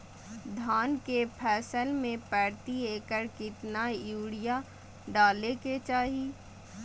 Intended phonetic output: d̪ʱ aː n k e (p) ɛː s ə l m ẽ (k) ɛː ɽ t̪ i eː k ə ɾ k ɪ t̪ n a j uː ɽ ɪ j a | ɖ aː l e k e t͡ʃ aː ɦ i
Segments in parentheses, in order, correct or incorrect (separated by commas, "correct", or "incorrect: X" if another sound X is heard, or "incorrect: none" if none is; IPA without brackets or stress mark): incorrect: pʰ, incorrect: p